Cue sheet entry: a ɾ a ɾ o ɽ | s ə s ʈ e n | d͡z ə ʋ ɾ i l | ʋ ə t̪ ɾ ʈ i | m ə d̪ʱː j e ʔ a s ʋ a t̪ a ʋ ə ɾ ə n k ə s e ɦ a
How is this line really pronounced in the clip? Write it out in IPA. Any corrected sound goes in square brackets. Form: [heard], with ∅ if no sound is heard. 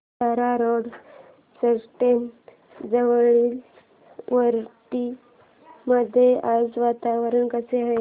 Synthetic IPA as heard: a ɾ a ɾ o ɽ | s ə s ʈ e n | d͡z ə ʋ [ɭ] i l | ʋ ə [∅] ɾ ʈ i | m ə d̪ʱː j e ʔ a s ʋ a t̪ a ʋ ə ɾ ə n k ə s e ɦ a